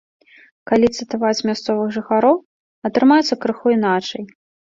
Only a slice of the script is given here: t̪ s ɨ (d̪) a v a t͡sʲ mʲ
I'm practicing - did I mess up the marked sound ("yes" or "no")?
yes